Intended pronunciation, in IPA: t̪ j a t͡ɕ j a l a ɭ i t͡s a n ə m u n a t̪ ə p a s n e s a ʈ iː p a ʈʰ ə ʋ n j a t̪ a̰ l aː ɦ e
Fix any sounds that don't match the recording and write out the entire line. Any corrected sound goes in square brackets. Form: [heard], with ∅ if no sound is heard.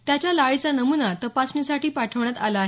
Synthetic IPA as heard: t̪ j a t͡ɕ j a l a ɭ i t͡s a n ə m u n a t̪ ə p a s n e s a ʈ iː p a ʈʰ ə ʋ [ɳ] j a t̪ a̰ l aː ɦ e